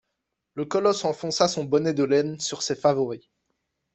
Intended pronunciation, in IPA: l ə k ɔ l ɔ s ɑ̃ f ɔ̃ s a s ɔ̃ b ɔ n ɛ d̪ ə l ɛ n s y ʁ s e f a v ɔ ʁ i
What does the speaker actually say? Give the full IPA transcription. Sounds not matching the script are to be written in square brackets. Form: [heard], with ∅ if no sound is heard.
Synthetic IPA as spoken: l ə k ɔ l ɔ s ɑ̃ f ɔ̃ s a s ɔ̃ b ɔ n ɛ d̪ ə l ɛ n s y ʁ s e f a v ɔ ʁ i